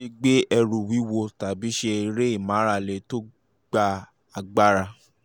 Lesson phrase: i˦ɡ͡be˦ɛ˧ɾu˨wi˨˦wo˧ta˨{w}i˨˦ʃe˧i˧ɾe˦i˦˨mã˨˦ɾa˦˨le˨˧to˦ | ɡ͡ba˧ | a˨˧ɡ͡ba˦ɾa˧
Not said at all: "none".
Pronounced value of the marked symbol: b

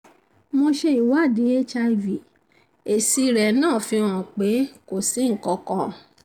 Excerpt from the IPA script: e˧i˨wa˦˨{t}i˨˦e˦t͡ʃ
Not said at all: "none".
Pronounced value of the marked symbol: d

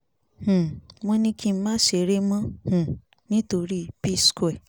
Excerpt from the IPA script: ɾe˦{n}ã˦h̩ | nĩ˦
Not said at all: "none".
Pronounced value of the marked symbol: m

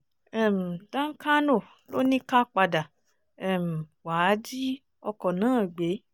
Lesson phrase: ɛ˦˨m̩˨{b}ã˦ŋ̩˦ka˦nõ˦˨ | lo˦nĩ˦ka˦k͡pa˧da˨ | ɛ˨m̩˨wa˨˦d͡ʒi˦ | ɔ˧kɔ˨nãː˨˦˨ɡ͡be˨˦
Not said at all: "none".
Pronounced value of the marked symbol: d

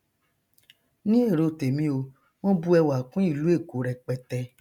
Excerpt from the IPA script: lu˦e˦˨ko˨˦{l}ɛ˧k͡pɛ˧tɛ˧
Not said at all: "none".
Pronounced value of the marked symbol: ɾ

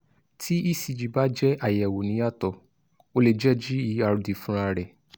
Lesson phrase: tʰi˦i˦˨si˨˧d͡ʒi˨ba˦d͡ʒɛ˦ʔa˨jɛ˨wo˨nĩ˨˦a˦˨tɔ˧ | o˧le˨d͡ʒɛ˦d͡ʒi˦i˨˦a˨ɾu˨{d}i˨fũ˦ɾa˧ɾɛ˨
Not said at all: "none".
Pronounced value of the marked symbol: d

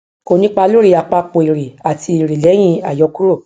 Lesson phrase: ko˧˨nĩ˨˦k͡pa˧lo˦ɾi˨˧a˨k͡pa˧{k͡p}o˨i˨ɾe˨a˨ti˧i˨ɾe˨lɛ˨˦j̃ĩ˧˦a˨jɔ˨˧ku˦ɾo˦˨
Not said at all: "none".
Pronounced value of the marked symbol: k͡p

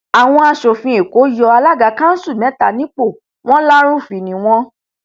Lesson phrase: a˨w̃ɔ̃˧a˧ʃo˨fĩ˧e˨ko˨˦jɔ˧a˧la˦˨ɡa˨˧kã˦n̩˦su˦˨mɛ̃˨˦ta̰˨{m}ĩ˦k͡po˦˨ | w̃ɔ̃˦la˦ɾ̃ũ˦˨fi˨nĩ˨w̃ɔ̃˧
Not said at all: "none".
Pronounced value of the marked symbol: n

